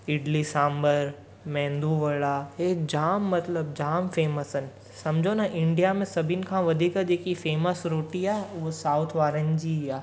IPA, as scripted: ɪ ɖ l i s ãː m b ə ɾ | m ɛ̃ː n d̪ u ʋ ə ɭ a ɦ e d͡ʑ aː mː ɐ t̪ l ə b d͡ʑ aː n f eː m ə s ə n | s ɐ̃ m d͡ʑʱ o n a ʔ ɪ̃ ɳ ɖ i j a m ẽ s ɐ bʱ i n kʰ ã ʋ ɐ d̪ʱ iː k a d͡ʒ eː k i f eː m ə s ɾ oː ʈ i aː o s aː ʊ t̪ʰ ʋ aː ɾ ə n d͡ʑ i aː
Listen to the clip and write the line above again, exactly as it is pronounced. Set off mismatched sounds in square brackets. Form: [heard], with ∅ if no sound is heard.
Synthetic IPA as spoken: ɪ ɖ l i s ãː m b ə ɾ | m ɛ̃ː n d̪ u ʋ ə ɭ a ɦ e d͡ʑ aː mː ɐ t̪ l ə b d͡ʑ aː [m] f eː m ə s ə n | s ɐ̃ m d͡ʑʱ o n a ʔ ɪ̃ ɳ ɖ i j a m ẽ s ɐ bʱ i n kʰ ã ʋ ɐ d̪ʱ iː k a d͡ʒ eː k i f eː m ə s ɾ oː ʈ i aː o s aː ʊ t̪ʰ ʋ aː ɾ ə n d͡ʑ i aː